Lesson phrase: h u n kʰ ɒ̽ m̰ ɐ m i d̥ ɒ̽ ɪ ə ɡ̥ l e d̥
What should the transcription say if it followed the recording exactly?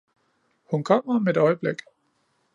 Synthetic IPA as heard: h u n kʰ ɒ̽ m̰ ɐ m e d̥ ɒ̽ ɪ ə b̥ l e ɡ̥